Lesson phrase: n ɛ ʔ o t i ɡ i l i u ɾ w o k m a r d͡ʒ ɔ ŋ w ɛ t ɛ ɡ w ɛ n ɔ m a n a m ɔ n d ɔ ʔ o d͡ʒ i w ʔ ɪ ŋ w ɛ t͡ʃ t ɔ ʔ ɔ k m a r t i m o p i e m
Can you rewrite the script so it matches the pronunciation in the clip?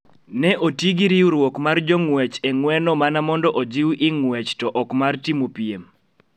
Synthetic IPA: n ɛ ʔ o t i ɡ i ɾ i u ɾ w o k m a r d͡ʒ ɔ ŋ w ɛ t͡ʃ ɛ ŋ w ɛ n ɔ m a n a m ɔ n d ɔ ʔ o d͡ʒ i w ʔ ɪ ŋ w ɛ t͡ʃ t ɔ ʔ ɔ k m a r t i m o p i e m